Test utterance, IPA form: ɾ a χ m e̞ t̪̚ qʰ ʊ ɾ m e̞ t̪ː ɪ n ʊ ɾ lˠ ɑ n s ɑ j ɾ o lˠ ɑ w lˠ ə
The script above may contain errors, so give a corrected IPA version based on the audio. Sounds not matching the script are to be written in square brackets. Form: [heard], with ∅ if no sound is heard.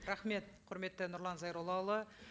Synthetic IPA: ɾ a χ m e̞ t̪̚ qʰ ʊ ɾ m e̞ t̪ː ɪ n ʊ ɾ lˠ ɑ n [z] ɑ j ɾ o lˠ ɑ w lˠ ə